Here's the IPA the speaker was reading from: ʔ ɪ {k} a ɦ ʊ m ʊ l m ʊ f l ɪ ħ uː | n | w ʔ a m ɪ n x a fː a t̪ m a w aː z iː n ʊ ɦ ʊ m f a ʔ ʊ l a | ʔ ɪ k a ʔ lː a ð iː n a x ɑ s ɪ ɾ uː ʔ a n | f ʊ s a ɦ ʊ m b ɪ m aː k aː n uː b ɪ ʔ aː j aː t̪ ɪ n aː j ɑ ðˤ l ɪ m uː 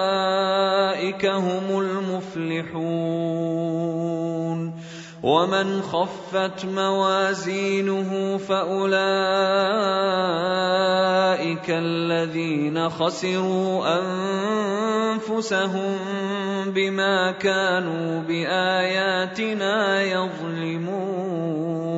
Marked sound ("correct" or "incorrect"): correct